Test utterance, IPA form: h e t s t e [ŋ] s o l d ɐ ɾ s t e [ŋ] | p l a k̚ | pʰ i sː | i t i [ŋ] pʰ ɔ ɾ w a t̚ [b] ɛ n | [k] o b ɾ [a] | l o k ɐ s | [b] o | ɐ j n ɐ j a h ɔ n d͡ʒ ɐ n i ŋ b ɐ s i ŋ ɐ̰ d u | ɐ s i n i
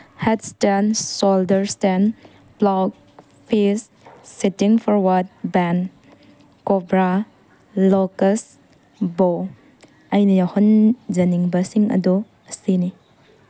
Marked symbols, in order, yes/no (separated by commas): no, no, yes, yes, yes, yes, yes